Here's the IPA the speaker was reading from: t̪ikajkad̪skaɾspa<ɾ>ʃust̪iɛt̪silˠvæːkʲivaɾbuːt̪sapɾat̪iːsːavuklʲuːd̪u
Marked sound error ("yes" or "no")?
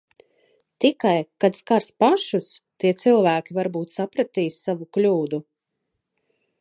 yes